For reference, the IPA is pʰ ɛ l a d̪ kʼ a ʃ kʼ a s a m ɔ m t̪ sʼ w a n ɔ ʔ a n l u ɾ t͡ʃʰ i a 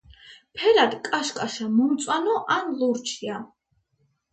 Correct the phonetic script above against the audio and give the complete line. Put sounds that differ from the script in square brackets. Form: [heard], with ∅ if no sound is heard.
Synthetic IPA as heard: pʰ ɛ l a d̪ kʼ a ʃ kʼ a [ʃ] a m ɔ m t̪ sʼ w a n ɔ ʔ a n l u ɾ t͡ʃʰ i a